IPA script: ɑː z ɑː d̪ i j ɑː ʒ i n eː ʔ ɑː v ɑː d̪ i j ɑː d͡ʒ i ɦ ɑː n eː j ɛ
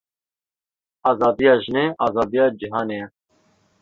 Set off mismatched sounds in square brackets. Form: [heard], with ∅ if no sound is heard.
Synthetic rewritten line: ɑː z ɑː d̪ i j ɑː ʒ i n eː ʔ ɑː [z] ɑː d̪ i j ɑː d͡ʒ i ɦ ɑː n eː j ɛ